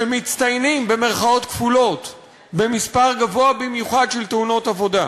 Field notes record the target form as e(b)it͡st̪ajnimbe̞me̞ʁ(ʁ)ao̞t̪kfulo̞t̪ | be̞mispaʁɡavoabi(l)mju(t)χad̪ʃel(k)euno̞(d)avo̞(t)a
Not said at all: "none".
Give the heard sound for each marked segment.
m, χ, none, none, t, t, d

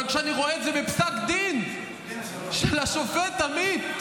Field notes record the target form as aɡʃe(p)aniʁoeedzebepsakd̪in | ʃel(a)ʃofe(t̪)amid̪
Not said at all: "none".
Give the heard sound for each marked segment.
none, a, t̪

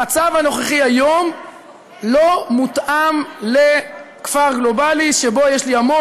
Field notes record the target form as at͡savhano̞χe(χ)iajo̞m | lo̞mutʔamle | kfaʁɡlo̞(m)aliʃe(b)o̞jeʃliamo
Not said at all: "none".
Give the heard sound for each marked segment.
χ, b, b

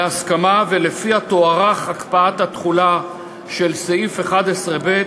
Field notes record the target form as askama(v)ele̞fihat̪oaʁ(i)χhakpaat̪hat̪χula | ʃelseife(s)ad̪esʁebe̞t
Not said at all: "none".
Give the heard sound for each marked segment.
v, a, χ

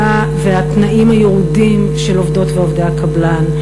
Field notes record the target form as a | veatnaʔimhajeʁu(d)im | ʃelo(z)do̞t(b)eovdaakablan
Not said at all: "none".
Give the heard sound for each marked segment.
d, v, v

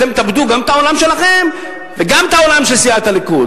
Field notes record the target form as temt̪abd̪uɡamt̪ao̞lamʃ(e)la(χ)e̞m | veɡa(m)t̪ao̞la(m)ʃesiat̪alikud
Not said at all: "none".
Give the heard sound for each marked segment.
e, χ, m, m

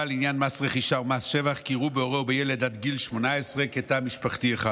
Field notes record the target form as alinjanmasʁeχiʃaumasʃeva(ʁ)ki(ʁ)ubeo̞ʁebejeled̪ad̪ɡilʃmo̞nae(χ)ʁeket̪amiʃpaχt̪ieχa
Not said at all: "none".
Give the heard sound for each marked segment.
χ, ʁ, s

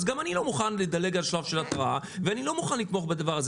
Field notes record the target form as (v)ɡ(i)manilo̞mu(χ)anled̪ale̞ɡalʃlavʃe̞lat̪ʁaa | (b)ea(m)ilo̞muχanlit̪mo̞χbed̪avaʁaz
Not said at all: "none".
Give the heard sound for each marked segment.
z, a, χ, v, n

